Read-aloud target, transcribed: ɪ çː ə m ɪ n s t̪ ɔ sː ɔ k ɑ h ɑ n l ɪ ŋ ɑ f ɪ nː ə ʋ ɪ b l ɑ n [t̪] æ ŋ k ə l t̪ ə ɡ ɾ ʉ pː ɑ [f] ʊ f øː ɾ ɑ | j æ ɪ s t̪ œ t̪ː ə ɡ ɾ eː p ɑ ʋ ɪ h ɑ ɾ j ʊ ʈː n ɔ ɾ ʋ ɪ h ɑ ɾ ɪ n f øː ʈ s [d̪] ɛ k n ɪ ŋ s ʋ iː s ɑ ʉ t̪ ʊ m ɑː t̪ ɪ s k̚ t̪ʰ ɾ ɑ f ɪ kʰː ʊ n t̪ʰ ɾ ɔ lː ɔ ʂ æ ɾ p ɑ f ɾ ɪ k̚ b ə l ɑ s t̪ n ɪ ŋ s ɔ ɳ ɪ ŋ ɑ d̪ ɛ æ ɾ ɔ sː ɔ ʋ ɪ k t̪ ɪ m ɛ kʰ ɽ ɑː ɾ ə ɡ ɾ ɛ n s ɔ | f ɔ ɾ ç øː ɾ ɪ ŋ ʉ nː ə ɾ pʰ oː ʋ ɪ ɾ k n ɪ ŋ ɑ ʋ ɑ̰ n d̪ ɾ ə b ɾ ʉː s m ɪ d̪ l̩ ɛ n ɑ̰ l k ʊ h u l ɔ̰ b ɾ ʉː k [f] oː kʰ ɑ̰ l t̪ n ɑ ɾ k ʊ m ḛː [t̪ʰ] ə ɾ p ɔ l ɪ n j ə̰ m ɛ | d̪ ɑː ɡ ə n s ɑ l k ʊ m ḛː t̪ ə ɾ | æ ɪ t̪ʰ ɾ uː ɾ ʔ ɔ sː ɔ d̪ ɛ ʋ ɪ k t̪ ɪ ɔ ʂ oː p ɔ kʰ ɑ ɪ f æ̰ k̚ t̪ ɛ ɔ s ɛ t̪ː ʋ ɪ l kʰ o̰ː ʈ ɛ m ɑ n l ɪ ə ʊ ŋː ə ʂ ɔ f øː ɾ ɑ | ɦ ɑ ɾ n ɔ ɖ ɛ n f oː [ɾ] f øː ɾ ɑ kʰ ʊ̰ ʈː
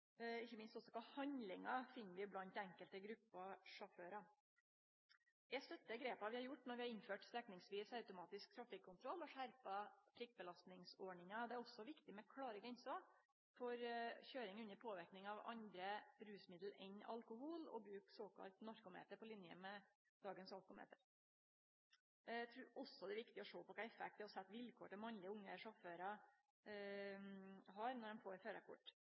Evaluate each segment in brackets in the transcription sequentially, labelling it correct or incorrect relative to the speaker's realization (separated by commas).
correct, incorrect, incorrect, incorrect, incorrect, correct